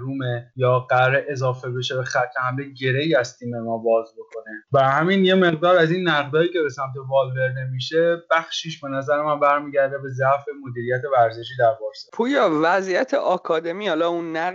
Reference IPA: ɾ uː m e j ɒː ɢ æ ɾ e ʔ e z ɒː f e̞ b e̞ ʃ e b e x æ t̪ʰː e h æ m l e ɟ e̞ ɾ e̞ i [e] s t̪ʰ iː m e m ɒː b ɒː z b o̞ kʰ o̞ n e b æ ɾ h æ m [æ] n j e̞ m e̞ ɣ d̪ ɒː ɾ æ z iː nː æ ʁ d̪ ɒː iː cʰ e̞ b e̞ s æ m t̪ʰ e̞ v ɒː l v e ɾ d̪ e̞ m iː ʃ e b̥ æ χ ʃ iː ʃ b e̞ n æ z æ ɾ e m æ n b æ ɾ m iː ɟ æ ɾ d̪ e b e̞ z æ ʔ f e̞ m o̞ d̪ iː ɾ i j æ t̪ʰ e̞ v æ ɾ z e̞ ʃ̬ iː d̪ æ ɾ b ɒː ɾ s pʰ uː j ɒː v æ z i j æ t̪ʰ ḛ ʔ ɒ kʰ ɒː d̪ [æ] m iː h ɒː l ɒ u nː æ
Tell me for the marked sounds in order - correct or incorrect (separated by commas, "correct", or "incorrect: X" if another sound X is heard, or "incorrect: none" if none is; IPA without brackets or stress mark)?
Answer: incorrect: æ, incorrect: i, incorrect: e